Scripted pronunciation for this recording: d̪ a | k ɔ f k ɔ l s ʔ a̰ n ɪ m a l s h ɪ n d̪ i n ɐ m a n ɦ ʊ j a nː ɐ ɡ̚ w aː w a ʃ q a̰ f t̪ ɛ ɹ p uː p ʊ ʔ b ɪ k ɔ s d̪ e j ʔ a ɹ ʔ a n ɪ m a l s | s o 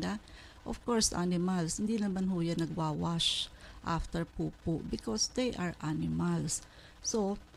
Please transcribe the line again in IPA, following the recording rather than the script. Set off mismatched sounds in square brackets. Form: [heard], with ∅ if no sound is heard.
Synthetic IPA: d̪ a | [ʔ] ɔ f k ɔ [ɹ] s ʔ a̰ n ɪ m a l s h ɪ n d̪ i n ɐ m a n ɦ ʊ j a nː ɐ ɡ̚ w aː w a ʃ [ʔ] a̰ f t̪ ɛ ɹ p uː p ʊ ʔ b ɪ k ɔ s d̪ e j ʔ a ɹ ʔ a n ɪ m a l s | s o